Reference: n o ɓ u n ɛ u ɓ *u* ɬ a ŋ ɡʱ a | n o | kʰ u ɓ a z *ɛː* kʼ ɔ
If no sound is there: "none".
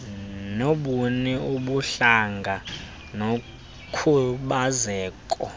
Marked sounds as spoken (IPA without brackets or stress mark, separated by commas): u, ɛː